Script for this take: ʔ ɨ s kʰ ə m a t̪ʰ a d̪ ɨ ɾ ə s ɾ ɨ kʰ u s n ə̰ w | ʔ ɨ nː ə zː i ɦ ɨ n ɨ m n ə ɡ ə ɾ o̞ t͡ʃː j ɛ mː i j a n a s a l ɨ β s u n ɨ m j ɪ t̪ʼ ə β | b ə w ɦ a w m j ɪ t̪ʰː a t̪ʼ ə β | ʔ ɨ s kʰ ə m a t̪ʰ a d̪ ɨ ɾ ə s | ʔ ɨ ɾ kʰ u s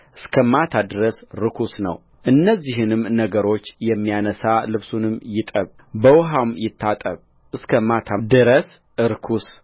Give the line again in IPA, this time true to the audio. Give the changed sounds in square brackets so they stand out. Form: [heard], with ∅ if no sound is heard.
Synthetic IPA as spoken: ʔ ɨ s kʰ ə m a t̪ʰ a d̪ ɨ ɾ ə s ɾ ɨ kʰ u s n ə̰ w | ʔ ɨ nː ə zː i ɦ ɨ n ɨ m n ə ɡ ə ɾ o̞ t͡ʃː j ɛ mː i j a n [ə] s a l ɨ β s u n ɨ m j ɪ t̪ʼ ə β | b ə w ɦ a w m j ɪ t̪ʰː a t̪ʼ ə β | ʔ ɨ s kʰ ə m a t̪ʰ a d̪ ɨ ɾ ə s | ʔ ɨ ɾ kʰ u s